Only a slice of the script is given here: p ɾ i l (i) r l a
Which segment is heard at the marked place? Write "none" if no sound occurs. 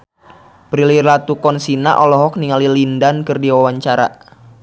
i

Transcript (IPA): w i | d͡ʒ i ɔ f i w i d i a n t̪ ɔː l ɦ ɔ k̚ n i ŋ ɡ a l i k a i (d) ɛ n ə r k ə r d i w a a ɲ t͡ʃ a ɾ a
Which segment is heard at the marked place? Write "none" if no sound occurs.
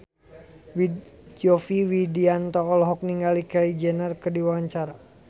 d͡ʒ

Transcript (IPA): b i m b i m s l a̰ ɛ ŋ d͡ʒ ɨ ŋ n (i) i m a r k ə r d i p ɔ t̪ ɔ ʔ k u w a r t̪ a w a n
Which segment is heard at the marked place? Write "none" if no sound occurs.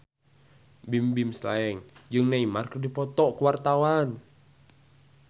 a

